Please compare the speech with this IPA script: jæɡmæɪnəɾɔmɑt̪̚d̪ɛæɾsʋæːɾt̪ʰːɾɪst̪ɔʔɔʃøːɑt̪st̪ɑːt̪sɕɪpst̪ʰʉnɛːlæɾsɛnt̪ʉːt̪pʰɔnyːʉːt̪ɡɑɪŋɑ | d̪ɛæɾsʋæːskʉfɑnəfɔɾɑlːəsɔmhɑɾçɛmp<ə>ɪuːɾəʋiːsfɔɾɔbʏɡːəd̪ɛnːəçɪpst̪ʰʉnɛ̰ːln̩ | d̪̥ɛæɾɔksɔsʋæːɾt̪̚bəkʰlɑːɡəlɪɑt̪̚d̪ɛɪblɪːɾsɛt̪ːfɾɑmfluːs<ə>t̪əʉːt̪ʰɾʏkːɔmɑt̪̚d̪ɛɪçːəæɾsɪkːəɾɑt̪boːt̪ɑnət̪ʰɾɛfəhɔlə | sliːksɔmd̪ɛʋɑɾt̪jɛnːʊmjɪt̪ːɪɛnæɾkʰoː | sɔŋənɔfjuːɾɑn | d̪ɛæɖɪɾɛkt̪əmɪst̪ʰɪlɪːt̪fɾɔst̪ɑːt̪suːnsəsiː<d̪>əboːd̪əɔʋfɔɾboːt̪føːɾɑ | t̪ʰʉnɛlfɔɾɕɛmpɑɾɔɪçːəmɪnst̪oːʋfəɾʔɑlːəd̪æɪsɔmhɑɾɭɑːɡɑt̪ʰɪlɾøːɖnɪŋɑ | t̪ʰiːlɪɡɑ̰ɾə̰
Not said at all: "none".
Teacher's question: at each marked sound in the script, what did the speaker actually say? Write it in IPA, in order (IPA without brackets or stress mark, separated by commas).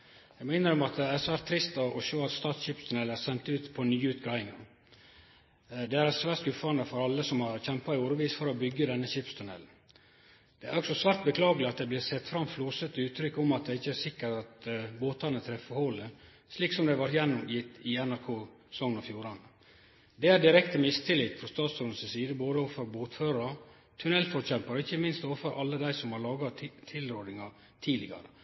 ɑ, ə, d̪